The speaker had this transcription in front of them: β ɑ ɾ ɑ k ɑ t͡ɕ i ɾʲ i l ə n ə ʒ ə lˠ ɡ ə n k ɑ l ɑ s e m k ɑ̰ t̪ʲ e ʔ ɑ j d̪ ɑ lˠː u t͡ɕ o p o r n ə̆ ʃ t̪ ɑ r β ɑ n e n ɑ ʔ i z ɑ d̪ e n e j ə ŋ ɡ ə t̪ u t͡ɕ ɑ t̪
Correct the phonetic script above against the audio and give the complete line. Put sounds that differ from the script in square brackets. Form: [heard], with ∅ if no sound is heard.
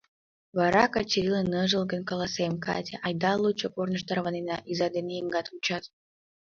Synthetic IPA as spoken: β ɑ ɾ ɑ k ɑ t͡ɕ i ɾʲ i l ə n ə ʒ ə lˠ ɡ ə n k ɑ l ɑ s e m k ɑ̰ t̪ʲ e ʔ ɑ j d̪ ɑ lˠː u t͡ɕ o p o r n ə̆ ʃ t̪ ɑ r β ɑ n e n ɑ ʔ i z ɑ d̪ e n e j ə ŋ ɡ [ɑ] t̪ u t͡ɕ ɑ t̪